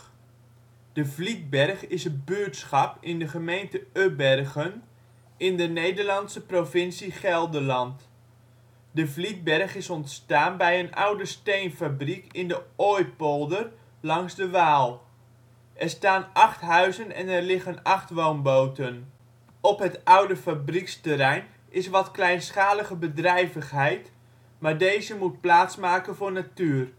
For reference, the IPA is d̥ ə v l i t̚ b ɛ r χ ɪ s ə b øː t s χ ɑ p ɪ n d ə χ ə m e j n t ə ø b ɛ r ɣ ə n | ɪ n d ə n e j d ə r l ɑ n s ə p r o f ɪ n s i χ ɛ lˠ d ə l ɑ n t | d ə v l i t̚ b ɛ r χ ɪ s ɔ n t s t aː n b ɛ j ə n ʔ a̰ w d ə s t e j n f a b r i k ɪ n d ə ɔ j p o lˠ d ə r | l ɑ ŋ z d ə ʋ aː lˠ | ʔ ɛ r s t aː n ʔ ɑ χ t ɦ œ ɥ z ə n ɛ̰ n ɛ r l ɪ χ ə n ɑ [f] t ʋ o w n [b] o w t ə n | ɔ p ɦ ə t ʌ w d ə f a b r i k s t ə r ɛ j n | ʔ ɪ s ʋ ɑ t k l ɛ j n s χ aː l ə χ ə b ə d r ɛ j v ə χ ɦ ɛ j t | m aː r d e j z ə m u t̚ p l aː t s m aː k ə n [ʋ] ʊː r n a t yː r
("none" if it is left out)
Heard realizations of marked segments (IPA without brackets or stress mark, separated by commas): χ, b, v